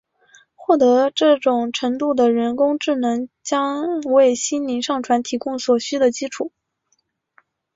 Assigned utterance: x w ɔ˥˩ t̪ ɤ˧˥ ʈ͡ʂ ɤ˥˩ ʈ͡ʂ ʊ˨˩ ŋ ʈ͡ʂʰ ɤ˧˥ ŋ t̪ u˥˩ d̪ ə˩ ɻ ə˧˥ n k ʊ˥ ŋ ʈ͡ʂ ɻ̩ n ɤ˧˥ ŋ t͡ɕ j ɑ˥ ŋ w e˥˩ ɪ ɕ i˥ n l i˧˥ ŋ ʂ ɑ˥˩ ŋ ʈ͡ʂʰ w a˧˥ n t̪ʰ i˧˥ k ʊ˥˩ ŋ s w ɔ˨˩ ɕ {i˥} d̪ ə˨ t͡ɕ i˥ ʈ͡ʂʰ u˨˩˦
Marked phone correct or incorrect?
incorrect